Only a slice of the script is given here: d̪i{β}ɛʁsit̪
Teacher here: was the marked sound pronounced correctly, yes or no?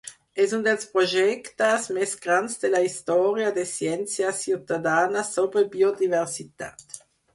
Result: no